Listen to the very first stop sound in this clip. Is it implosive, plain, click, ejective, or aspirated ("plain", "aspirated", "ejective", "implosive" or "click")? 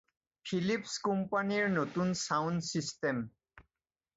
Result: aspirated